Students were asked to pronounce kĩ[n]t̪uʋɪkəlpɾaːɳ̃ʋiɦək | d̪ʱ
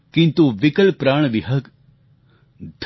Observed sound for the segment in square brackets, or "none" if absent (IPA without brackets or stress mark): n